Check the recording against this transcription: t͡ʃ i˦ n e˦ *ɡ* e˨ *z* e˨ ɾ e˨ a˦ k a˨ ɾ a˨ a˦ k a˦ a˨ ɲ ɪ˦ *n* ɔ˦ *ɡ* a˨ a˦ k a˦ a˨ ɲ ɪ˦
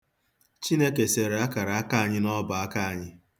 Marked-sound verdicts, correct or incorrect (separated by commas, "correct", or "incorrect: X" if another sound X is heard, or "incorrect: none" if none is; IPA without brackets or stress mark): incorrect: k, incorrect: s, correct, incorrect: b